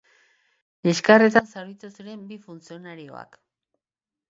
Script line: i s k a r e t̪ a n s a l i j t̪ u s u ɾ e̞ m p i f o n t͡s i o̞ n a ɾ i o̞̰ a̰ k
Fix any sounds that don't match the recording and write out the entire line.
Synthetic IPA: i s k a r e t̪ a n s a ɾ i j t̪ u s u ɾ e̞ m b i f u n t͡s i o̞ n a ɾ i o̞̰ a̰ k